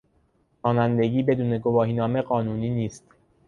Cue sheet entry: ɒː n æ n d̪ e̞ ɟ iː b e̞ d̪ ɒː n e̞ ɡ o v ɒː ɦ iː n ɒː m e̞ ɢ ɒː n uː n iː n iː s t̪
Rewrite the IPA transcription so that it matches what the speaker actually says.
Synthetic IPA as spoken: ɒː n æ n d̪ e̞ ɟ iː b e̞ d̪ uː n e̞ ɡ o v ɒː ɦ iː n ɒː m e̞ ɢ ɒː n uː n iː n iː s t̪